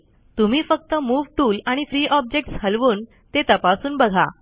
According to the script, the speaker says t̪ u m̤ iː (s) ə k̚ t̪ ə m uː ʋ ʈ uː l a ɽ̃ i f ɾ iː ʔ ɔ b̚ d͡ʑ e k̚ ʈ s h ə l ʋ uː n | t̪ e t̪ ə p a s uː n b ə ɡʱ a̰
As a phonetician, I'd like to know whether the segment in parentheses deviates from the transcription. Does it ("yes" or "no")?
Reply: yes